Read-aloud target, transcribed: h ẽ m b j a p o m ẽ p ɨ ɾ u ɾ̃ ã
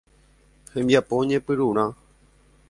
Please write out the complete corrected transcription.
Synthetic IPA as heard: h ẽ m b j a p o ɲ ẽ p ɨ ɾ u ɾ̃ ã